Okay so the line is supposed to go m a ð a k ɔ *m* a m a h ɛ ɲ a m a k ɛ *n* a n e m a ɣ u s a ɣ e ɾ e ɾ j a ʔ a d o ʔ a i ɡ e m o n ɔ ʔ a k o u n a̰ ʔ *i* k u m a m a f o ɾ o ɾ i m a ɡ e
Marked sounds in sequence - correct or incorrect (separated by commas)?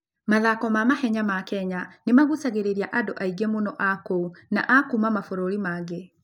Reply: correct, incorrect, incorrect